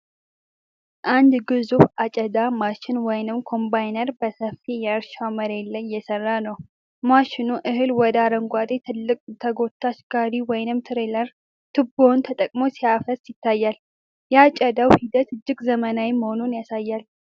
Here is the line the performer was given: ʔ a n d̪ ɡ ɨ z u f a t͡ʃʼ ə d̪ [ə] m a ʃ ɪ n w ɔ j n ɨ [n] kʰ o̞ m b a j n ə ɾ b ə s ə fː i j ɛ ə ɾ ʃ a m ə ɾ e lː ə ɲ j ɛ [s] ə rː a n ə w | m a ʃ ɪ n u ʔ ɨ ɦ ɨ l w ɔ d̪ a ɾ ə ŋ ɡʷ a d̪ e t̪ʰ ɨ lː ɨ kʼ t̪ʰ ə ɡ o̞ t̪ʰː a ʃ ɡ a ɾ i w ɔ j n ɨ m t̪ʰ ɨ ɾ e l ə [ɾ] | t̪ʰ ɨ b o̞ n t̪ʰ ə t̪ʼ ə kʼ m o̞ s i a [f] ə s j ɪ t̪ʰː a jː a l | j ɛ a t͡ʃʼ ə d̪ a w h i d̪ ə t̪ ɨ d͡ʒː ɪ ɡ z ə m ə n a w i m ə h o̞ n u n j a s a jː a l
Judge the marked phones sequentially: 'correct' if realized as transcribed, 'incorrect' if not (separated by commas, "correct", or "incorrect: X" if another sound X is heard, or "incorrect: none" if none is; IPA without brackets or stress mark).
incorrect: a, incorrect: m, correct, correct, correct